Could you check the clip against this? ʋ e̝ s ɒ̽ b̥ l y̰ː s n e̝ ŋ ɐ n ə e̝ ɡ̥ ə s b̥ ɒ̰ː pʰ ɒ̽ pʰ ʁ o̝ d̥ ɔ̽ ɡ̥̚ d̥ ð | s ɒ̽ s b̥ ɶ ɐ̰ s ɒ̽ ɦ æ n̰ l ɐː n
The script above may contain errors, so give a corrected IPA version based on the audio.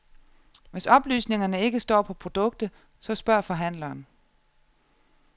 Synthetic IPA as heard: ʋ e̝ s ɒ̽ b̥ l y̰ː s n e̝ ŋ ɐ n ə e̝ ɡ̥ ə s d̥ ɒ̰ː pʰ ɒ̽ pʰ ʁ o̝ d̥ ɔ̽ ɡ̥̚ d̥ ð | s ɒ̽ s b̥ ɶ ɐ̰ f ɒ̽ ɦ æ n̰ l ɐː n